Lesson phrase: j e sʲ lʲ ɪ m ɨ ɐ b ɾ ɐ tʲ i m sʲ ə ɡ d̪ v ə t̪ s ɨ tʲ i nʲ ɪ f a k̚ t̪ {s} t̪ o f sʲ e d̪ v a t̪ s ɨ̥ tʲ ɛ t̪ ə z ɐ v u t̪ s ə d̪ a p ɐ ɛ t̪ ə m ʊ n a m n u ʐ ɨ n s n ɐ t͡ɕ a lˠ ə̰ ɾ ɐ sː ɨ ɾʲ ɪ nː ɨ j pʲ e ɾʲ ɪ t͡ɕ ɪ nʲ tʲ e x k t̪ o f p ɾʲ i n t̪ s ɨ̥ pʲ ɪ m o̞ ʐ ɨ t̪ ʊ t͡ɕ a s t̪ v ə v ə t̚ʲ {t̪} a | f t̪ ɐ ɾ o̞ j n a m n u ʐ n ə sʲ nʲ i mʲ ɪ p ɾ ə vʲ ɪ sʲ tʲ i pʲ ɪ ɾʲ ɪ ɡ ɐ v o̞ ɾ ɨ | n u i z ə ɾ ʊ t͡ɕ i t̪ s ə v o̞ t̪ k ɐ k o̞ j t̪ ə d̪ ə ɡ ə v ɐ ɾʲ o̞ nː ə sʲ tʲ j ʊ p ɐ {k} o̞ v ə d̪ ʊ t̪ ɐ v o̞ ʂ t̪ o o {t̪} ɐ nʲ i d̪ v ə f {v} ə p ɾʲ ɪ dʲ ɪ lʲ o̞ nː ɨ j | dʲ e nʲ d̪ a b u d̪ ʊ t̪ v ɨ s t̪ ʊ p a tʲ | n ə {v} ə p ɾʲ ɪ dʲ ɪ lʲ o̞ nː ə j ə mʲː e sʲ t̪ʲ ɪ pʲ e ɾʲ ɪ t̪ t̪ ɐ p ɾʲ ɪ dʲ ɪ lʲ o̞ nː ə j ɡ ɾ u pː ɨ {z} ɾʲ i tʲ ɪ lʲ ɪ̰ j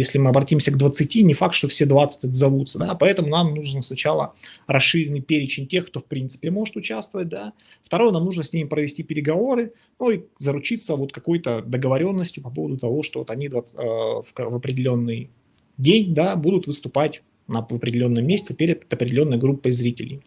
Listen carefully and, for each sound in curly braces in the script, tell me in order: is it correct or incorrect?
incorrect: ʂ, incorrect: d̪, incorrect: p, correct, correct, correct, correct

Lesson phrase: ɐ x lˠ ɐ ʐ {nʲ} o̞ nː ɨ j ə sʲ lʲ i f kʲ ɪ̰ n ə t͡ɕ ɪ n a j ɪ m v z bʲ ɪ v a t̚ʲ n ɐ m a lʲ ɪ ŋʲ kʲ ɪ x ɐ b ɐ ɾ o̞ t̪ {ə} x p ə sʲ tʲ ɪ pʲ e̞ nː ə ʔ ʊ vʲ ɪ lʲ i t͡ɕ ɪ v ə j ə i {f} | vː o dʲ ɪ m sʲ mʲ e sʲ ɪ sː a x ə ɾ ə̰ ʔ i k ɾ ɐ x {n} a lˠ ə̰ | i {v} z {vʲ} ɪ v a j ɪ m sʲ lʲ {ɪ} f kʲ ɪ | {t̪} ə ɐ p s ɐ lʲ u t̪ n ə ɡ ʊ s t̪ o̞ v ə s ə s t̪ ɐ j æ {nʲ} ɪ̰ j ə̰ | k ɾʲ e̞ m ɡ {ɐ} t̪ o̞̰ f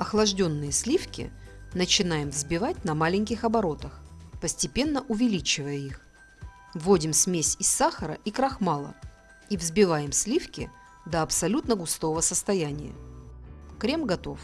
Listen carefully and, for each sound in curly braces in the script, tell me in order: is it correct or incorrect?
incorrect: dʲ, correct, incorrect: x, incorrect: m, correct, incorrect: bʲ, incorrect: i, incorrect: d̪, correct, correct

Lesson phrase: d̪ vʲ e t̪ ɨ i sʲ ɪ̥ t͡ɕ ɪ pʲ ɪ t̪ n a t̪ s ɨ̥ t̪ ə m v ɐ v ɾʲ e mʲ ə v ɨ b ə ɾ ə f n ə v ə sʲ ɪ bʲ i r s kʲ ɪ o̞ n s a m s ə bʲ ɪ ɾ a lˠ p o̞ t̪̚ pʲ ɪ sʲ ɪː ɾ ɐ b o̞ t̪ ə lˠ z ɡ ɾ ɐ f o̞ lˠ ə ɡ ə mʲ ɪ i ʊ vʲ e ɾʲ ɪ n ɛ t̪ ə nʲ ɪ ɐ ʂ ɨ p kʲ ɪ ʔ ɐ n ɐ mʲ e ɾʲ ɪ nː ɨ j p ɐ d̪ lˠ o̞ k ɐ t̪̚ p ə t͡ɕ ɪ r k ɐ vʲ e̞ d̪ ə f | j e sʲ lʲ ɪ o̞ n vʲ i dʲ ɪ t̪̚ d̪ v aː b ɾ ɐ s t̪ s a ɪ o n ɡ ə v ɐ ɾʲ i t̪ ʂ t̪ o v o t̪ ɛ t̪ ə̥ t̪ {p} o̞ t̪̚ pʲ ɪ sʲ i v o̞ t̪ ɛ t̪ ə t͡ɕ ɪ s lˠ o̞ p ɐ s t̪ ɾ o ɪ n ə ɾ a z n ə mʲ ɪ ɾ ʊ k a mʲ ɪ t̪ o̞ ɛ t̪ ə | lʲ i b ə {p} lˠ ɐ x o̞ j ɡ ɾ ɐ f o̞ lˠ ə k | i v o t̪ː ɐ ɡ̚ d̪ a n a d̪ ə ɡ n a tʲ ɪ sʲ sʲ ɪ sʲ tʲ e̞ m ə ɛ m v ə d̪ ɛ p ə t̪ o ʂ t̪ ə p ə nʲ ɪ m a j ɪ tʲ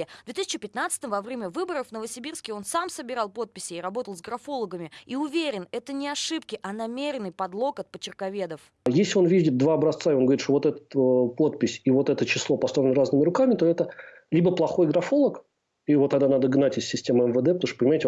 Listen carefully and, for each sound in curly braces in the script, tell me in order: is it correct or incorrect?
correct, correct

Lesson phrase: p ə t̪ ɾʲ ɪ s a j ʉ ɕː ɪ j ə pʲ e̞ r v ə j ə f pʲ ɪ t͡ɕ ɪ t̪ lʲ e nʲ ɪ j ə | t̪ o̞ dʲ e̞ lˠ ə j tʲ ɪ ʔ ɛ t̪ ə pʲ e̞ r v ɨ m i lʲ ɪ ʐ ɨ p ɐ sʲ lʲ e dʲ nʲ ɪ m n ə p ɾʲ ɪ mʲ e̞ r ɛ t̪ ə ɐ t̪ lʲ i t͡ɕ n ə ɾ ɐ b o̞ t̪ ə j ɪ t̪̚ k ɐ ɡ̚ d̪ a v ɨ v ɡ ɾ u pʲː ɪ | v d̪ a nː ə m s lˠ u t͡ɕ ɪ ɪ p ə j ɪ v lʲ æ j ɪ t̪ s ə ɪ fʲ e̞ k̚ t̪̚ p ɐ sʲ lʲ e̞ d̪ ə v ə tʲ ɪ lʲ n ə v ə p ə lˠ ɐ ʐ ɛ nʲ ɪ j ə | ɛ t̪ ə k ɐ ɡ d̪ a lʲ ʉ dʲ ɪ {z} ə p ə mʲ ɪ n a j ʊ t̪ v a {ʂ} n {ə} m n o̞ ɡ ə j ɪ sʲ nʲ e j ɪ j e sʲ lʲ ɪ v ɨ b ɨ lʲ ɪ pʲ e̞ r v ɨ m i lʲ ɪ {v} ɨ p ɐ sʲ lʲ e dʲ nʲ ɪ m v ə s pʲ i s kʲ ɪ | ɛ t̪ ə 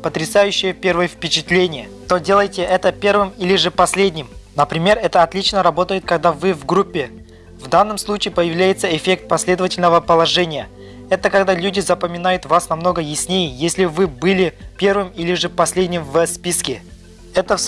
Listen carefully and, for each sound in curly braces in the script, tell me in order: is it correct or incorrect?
correct, incorrect: s, incorrect: ɐ, incorrect: ʐ

